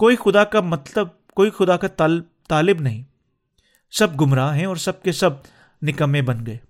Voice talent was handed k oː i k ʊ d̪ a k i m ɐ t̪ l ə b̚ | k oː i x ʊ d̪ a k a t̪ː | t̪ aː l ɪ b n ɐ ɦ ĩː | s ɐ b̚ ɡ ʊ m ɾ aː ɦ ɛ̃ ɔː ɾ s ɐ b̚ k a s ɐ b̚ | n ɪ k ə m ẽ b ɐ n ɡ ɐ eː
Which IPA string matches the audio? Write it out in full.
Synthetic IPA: k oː i x ʊ d̪ a k a m ɐ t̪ l ə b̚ | k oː i x ʊ d̪ a k a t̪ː | t̪ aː l ɪ b n ɐ ɦ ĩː | s ɐ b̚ ɡ ʊ m ɾ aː ɦ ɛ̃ ɔː ɾ s ɐ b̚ k e s ɐ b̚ | n ɪ k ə m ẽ b ɐ n ɡ ɐ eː